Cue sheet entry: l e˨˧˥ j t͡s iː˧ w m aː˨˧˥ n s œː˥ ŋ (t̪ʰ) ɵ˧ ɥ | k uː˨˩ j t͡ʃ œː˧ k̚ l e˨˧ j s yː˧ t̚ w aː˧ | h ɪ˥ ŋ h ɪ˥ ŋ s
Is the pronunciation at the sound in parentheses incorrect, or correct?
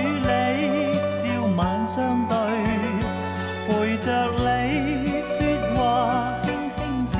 incorrect